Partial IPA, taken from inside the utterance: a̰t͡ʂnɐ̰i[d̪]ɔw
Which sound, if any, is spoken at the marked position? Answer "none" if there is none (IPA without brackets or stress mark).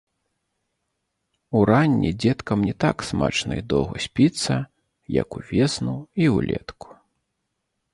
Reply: d̪